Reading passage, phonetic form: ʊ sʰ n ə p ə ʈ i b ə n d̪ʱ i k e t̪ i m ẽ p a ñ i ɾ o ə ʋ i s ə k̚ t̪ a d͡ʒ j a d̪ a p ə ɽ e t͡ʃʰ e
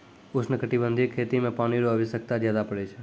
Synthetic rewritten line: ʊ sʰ n ə k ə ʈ i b ə n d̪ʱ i kʰ e t̪ i m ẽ p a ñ i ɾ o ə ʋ i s ə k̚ t̪ a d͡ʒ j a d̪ a p ə ɽ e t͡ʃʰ e